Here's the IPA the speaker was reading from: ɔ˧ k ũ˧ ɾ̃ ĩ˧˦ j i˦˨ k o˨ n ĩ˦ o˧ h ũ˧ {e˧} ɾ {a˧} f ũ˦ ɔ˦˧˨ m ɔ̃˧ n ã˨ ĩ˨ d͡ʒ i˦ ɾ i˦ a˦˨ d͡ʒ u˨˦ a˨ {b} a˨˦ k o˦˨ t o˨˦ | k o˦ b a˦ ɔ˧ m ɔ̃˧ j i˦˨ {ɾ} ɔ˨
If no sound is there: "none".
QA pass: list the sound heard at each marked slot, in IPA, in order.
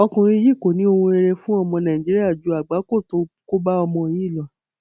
e˧, e˧, ɡ͡b, l

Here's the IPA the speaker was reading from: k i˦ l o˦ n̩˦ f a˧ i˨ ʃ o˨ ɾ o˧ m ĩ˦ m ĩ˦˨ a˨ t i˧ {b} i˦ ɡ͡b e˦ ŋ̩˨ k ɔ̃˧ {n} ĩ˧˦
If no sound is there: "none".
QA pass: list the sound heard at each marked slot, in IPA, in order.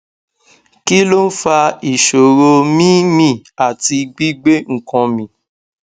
ɡ͡b, m

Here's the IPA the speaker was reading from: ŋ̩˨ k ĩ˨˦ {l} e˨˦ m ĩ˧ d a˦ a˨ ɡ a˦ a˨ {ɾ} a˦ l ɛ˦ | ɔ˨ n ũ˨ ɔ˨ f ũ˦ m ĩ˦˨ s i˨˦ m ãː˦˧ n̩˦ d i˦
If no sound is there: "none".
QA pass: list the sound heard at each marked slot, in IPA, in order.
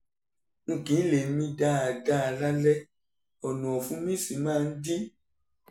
l, l

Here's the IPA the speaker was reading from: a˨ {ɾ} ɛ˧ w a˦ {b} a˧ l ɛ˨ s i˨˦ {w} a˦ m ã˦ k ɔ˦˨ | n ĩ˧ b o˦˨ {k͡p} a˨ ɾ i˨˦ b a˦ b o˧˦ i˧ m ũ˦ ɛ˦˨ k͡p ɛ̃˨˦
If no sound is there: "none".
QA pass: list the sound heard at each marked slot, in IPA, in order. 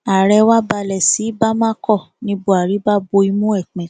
ɾ, b, b, none

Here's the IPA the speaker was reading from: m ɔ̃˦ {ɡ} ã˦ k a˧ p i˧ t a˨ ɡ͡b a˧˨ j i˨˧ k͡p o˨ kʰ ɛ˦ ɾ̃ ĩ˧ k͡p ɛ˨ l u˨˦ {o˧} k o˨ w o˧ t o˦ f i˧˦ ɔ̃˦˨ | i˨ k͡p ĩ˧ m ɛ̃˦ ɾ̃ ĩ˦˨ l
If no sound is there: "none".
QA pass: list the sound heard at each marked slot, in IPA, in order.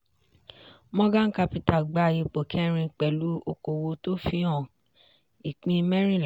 ɡ, o˧

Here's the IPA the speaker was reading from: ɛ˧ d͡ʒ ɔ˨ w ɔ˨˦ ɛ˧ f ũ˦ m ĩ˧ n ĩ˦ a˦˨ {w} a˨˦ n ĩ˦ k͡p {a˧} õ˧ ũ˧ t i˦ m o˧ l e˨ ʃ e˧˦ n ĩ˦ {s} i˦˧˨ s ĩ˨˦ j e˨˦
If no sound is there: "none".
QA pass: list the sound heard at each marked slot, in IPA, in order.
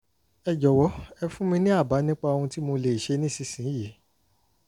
b, a˧, s

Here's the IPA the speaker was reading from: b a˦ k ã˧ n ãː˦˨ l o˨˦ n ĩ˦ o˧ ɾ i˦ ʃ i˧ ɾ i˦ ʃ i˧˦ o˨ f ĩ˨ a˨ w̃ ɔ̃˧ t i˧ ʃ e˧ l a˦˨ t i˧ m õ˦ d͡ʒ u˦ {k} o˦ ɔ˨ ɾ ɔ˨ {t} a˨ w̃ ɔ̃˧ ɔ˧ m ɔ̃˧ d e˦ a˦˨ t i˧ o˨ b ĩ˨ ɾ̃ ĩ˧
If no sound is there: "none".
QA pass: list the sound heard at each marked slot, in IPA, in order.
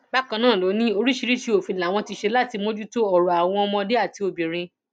t, none

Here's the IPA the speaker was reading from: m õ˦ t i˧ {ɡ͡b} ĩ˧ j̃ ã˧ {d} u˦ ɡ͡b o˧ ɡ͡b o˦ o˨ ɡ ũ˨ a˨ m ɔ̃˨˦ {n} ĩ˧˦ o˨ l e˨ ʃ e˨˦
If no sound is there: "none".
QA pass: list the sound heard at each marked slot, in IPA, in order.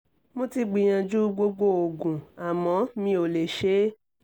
ɡ͡b, d͡ʒ, m

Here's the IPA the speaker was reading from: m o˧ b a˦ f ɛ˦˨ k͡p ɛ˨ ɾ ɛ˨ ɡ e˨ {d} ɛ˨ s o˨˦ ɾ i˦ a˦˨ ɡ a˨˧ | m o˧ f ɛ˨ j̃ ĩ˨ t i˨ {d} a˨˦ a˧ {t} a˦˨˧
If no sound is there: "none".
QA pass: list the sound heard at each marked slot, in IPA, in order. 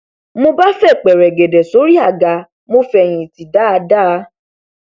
d, d, d

